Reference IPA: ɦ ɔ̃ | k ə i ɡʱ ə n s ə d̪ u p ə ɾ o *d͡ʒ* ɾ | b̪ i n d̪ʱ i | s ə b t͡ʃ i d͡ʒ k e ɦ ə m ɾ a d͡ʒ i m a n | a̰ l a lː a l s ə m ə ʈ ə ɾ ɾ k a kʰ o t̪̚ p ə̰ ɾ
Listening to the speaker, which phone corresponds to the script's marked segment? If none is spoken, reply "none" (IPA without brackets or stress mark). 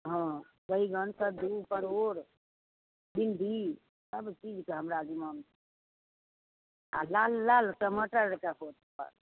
none